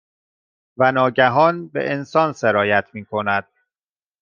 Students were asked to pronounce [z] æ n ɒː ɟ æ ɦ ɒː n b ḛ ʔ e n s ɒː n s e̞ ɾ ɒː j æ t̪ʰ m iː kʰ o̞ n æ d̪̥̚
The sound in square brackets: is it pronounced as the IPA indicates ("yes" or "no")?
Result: no